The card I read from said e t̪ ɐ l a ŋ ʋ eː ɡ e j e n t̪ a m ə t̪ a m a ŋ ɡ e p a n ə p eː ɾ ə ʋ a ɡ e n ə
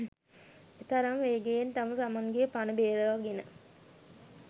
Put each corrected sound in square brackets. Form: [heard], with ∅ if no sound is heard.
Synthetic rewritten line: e t̪ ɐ [ɾ] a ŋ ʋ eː ɡ e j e n t̪ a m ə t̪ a m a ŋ ɡ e p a n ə [b] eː ɾ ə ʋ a ɡ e n ə